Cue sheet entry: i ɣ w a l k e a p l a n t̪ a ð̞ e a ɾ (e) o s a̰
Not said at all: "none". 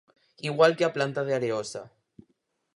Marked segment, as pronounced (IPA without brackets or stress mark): e